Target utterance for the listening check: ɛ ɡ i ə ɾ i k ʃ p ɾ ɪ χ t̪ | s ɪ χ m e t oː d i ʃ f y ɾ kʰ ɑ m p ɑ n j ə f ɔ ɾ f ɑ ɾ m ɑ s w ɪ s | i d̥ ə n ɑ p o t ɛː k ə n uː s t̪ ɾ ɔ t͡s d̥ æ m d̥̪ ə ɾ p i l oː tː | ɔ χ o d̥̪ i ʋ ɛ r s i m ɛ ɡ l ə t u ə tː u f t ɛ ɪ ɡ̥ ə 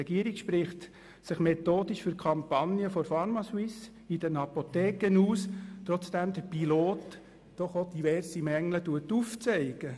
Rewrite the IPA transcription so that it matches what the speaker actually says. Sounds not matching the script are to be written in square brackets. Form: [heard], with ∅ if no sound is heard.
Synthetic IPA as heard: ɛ ɡ i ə ɾ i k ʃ p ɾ ɪ χ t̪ | s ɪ χ m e t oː d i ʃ f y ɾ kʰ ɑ m p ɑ n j ə f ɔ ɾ f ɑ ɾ m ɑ s w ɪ s | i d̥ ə n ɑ p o t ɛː k ə n uː s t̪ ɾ ɔ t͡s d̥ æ m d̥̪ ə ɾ p i l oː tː | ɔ χ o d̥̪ i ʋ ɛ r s i m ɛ [ŋ] l ə t u ə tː u f [t͡s] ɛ ɪ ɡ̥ ə

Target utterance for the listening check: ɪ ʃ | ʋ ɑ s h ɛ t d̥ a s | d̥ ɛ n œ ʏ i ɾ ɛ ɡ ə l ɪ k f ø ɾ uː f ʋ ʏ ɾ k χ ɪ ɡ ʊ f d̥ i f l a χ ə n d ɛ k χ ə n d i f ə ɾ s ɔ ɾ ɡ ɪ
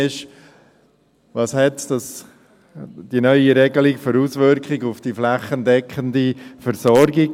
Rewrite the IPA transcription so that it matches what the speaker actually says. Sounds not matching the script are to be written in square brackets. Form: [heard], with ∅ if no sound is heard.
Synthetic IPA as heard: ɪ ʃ | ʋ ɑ s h ɛ t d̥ [ɑ] s | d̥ [i] n œ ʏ i ɾ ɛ ɡ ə l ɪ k f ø ɾ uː [s] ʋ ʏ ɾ k χ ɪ ɡ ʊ f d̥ i f l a χ ə n d ɛ k χ ə n d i f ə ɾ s ɔ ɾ ɡ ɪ

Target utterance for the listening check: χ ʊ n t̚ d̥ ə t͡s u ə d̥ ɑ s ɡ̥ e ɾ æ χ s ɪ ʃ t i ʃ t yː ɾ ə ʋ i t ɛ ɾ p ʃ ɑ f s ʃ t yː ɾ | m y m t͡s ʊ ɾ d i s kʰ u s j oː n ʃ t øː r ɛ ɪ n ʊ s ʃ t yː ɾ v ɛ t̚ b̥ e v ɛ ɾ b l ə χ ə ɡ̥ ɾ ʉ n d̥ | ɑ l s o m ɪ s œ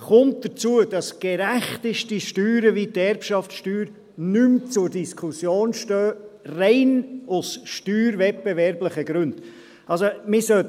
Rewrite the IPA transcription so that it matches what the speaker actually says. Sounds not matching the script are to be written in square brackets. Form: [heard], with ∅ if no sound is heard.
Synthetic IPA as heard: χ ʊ n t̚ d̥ ə t͡s u ə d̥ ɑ s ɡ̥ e ɾ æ χ [t] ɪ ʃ t i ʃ t yː ɾ ə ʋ i t ɛ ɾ p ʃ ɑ f [t] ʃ t yː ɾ | [n] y m t͡s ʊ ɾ d i s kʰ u s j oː n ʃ t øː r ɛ ɪ n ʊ s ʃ t yː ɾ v ɛ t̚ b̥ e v ɛ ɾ b l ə χ ə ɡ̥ ɾ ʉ n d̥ | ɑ l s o m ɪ s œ

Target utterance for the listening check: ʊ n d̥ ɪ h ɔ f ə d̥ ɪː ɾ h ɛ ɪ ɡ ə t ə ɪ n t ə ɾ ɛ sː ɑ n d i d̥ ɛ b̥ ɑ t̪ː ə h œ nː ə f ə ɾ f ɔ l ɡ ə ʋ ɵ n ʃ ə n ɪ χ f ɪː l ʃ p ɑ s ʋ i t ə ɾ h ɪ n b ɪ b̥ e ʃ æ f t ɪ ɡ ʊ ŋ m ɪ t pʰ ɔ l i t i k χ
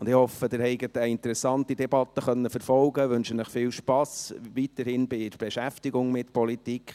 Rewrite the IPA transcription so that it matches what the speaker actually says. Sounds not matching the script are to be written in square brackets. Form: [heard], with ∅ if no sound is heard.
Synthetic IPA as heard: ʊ n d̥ ɪ h ɔ f ə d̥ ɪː ɾ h ɛ ɪ ɡ ə t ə ɪ n t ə ɾ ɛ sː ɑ n [t] i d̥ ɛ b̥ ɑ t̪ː ə [χ] œ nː ə f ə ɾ f ɔ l ɡ ə ʋ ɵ n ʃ ə n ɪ χ f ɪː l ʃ p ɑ s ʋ i t ə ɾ h ɪ n b ɪ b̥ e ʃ æ f t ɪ ɡ ʊ ŋ m ɪ t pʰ ɔ l i t i k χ

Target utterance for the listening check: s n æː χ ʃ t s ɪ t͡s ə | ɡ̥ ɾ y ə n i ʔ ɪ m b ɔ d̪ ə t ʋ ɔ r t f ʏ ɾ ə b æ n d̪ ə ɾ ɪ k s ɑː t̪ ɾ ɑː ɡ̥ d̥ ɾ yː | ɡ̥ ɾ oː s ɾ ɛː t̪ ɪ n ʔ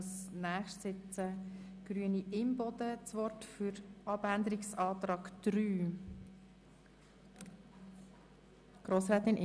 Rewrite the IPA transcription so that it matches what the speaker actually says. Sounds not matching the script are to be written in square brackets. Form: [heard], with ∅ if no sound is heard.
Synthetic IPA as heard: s n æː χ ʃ t s ɪ t͡s ə | ɡ̥ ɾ y ə n i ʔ ɪ m b ɔ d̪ ə [t͡s] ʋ ɔ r t f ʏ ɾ [ɑ] b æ n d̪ ə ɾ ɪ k s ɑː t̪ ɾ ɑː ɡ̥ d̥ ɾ yː | ɡ̥ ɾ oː s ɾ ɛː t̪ ɪ n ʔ

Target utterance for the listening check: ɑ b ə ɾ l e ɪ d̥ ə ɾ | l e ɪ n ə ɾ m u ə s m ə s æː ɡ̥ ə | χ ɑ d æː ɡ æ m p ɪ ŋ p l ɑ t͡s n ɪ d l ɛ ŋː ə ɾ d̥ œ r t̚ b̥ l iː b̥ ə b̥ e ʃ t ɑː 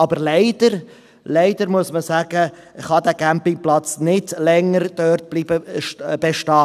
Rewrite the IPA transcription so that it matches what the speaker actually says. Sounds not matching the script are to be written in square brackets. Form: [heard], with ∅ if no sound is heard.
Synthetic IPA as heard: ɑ b ə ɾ l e ɪ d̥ ə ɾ | l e ɪ [d] ə ɾ m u ə s m ə s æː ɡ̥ ə | χ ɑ d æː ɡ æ m p ɪ ŋ p l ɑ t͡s n ɪ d l ɛ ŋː ə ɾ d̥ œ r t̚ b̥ l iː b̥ ə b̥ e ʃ t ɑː

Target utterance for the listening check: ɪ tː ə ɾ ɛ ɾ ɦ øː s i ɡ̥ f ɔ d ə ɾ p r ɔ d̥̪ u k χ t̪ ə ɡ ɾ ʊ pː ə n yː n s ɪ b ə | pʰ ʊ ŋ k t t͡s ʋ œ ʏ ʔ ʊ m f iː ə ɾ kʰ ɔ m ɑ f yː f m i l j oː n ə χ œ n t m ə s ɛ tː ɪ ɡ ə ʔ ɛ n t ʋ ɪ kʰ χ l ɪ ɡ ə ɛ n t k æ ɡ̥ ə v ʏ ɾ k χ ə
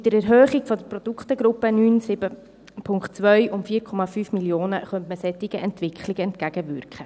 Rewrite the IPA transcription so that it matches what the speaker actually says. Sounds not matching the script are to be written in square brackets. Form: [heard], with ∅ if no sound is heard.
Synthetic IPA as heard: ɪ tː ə ɾ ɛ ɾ ɦ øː [χ] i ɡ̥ f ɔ d ə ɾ p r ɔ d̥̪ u k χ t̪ ə ɡ ɾ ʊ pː ə n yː n s ɪ b ə | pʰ ʊ ŋ k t t͡s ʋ œ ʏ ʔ ʊ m f iː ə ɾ kʰ ɔ m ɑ f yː f m i l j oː n ə χ œ n t m ə s ɛ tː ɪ ɡ ə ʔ ɛ n t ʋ ɪ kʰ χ l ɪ ɡ ə ɛ n t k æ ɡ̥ ə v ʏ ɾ k χ ə

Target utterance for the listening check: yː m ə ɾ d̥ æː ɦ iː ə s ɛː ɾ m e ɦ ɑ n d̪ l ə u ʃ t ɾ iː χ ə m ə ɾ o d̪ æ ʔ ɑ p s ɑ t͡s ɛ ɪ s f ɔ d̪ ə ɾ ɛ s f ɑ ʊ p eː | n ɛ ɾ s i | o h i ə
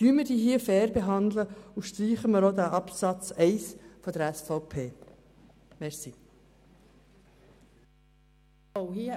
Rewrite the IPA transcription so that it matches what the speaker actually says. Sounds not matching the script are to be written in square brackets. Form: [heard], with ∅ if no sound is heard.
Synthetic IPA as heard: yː m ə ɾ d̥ [iː] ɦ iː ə [f] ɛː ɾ [b] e ɦ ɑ n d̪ l ə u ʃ t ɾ iː χ ə m ə ɾ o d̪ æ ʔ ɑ p s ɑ t͡s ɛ ɪ s f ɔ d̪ ə ɾ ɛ s f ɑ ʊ [pʰ] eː | [m] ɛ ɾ s i | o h i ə

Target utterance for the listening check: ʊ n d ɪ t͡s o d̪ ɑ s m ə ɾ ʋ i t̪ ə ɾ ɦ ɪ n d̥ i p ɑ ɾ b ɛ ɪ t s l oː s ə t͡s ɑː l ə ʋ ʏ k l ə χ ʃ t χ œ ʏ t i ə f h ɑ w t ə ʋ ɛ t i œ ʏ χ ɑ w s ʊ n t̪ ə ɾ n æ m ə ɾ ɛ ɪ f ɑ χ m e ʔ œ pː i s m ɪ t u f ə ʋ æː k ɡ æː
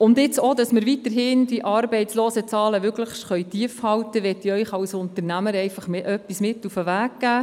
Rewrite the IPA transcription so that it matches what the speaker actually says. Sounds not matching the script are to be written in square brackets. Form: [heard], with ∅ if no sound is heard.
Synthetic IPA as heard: ʊ n d ɪ t͡s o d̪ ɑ s m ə ɾ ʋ i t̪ ə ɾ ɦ ɪ n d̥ i [ʔ] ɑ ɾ b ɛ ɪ t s l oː s ə t͡s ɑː l ə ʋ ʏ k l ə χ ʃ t χ œ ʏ t i ə f h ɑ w t ə ʋ ɛ t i œ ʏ χ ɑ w s ʊ n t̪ ə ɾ n æ m ə ɾ ɛ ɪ f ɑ χ m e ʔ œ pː i s m ɪ t u f ə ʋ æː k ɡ æː

